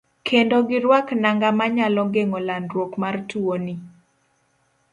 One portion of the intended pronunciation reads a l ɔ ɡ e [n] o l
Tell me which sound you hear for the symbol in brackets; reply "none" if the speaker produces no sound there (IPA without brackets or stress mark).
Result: ŋ